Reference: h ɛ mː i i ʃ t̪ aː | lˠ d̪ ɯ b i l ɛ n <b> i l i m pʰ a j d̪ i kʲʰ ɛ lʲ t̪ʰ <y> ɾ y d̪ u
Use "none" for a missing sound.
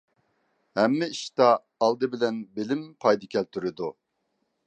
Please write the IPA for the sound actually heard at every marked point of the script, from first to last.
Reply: b, y

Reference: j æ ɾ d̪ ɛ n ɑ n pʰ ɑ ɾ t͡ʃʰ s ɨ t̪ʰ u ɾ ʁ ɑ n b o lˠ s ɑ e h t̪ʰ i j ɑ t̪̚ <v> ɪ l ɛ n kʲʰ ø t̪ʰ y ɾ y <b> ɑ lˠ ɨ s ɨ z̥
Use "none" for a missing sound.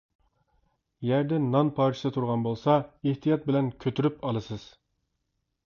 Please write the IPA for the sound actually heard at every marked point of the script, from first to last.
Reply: b, p

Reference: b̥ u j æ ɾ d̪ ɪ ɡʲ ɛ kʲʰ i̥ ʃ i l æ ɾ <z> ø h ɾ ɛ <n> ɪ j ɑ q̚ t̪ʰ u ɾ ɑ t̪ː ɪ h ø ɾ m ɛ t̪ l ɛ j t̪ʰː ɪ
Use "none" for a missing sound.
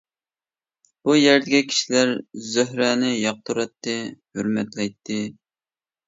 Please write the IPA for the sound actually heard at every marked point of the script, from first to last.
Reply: z, n

